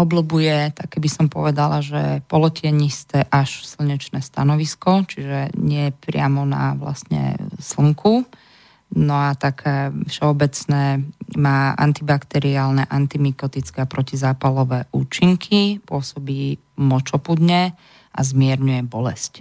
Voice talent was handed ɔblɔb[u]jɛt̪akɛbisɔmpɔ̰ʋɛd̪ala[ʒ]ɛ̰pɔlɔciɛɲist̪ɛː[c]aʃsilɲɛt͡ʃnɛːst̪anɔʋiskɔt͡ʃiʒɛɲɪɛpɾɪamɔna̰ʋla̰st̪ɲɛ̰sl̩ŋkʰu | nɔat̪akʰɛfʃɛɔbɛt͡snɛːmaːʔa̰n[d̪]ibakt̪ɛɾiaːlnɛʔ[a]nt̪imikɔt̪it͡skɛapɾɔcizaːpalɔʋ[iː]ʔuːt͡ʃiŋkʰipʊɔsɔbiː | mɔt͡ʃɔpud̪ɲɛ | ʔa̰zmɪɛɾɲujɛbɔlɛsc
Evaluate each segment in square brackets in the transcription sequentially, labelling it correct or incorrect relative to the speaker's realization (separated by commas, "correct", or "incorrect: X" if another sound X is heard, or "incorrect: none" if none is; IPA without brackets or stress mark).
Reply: correct, correct, incorrect: ʔ, incorrect: t̪, correct, incorrect: ɛː